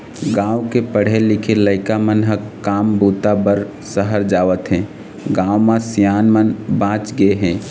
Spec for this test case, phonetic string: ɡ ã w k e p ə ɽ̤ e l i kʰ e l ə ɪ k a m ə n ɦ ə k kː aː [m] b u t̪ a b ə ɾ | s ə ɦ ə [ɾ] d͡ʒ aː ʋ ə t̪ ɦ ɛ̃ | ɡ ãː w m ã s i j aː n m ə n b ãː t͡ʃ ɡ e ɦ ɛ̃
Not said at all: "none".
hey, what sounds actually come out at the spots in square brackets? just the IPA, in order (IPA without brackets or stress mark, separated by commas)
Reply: m, ɾ